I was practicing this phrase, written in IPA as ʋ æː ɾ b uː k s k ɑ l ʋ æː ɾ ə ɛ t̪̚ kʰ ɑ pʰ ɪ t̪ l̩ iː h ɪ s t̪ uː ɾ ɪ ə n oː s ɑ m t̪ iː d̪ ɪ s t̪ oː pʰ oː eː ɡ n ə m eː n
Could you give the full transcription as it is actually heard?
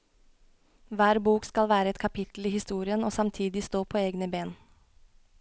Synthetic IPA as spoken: ʋ æː ɾ b uː k s k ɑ l ʋ æː ɾ ə ɛ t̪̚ kʰ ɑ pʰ ɪ t̪ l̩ iː h ɪ s t̪ uː ɾ ɪ ə n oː s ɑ m t̪ʰ iː d̪ ɪ s t̪ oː pʰ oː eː ɡ n ə b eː n